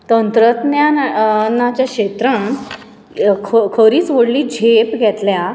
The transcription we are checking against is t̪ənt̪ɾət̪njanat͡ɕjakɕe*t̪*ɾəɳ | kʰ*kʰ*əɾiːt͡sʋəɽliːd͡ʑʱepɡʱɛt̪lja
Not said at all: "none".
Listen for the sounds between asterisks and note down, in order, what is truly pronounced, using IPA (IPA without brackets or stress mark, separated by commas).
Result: t̪, kʰ